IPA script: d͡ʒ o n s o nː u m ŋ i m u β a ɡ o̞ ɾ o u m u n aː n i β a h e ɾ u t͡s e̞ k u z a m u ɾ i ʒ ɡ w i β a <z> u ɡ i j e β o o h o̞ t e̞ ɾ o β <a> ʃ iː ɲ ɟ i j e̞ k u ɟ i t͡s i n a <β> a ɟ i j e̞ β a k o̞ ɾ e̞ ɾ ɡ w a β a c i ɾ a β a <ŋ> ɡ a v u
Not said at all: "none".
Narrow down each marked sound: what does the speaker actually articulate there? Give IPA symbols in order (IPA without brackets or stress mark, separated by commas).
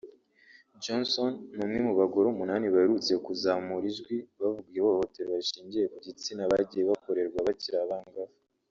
v, a, β, ŋ